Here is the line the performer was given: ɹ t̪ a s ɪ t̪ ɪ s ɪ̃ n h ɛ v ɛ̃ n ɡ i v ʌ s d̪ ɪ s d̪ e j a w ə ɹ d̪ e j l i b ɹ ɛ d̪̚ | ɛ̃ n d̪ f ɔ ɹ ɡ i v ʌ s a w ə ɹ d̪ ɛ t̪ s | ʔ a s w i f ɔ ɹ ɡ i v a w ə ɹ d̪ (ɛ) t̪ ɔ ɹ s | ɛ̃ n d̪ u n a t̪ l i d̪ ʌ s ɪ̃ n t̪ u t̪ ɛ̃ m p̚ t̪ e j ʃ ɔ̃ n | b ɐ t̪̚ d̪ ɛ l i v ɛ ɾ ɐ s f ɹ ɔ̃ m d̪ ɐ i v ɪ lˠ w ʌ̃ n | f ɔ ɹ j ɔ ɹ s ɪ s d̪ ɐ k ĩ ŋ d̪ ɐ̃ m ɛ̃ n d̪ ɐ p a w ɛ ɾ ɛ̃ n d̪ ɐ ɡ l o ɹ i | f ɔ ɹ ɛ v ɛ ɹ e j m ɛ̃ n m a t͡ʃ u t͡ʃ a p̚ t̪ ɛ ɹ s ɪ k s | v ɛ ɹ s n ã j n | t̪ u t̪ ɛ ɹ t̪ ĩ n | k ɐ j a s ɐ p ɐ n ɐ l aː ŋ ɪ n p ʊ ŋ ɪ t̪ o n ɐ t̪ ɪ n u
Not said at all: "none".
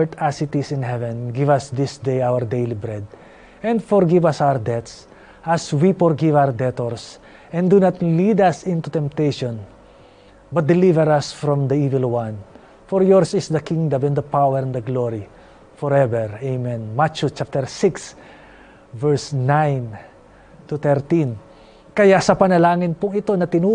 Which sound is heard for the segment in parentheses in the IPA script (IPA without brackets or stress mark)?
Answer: ɛ